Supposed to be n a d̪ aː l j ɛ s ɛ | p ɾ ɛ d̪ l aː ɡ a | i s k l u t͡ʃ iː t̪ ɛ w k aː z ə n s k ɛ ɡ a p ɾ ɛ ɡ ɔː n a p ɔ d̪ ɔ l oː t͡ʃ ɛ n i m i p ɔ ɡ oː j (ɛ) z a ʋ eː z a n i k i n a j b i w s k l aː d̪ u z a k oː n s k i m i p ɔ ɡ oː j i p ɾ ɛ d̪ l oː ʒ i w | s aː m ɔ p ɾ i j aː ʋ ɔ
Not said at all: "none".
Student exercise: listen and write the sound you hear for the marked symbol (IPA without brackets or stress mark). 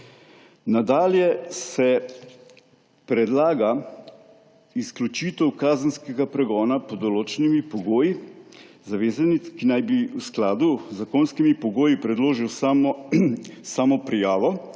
i